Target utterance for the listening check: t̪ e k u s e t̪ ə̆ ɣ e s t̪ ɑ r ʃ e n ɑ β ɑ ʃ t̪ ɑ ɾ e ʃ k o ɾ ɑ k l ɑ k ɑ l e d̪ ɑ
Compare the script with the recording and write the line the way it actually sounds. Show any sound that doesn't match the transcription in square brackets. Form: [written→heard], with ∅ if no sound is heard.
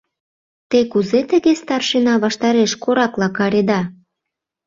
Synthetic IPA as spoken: t̪ e k u [s→z] e t̪ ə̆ ɣ e s t̪ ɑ r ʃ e n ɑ β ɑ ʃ t̪ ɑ ɾ e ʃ k o ɾ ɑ k l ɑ k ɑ [l→ɾ] e d̪ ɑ